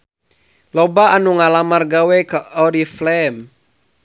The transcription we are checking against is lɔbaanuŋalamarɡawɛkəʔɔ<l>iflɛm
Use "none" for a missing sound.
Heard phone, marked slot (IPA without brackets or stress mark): ɾ